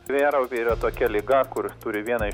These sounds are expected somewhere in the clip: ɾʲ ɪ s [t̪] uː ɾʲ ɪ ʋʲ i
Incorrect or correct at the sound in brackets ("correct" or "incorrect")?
correct